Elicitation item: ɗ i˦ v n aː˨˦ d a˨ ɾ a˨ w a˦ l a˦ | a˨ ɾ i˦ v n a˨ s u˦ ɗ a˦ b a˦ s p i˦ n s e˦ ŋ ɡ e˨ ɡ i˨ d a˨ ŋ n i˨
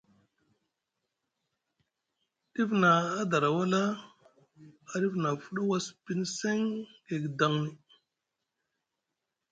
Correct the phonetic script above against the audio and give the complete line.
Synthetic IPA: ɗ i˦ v n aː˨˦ d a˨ ɾ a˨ w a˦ l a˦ | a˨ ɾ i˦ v n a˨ f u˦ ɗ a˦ w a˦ s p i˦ n s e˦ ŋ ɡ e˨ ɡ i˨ d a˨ ŋ n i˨